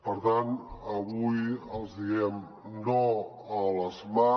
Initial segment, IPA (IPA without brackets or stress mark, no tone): p